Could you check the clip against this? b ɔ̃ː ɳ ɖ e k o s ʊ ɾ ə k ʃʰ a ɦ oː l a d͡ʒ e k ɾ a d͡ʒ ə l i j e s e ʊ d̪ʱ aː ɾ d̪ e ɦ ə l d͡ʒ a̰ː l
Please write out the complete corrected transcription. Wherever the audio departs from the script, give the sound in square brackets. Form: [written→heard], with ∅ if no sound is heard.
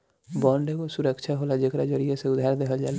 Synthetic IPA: b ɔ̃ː ɳ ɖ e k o s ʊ ɾ ə k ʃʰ a ɦ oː l a d͡ʒ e k ɾ a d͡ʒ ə [l→ɾ] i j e s e ʊ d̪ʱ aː ɾ d̪ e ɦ ə l d͡ʒ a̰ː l